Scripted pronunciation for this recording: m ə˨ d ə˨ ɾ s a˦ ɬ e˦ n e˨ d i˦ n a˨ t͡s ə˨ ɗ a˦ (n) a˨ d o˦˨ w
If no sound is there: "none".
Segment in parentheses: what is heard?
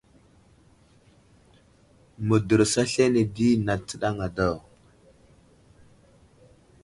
ŋ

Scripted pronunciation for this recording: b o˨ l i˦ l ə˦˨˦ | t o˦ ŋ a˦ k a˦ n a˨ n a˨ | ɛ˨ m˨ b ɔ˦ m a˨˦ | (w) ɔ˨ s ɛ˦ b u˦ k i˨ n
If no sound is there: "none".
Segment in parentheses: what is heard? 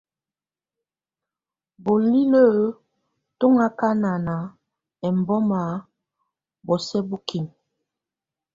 b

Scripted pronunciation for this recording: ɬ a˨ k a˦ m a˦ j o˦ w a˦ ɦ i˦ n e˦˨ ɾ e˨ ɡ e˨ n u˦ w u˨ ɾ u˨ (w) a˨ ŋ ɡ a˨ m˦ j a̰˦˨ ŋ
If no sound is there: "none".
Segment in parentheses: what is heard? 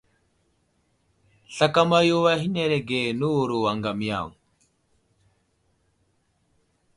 w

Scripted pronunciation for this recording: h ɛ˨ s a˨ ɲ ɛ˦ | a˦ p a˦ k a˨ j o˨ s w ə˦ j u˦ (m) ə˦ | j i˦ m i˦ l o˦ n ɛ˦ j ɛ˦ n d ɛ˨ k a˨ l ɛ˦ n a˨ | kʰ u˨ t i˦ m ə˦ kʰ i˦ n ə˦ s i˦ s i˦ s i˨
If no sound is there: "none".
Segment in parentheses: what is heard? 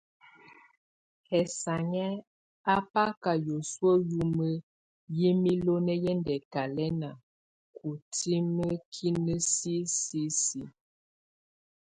m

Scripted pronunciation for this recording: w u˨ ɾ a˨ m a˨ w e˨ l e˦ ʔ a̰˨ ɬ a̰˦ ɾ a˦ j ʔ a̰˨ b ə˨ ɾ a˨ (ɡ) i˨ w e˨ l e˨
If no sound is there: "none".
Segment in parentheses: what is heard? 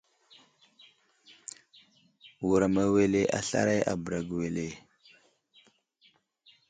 ɡ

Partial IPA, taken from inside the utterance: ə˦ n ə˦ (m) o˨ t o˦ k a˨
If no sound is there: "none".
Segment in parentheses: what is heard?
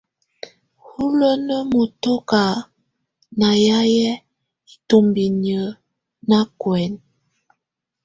m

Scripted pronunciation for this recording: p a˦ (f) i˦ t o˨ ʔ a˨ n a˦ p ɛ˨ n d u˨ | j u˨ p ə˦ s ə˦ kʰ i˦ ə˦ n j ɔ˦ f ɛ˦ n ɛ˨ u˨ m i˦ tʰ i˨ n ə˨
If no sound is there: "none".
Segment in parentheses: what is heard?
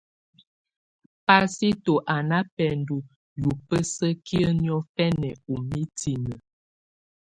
s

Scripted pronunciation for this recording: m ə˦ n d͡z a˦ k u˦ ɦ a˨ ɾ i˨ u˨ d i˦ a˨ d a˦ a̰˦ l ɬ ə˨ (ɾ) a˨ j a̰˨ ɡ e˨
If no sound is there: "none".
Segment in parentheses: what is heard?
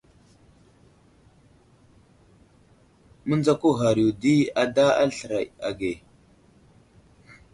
ɾ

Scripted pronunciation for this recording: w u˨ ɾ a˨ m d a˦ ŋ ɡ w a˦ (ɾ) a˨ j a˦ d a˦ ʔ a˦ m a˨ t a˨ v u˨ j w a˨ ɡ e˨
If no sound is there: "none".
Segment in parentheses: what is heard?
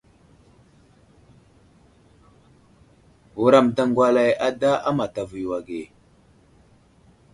l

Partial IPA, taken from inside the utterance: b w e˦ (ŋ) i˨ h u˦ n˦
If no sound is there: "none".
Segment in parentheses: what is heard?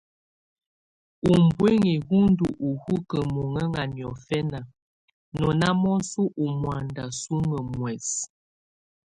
ŋ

